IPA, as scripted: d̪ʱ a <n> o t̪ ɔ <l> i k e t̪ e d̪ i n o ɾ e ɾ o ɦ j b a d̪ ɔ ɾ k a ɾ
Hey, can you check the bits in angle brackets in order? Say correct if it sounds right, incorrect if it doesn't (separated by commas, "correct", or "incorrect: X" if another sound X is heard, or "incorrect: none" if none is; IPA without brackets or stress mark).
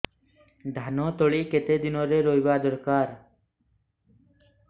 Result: correct, incorrect: ɭ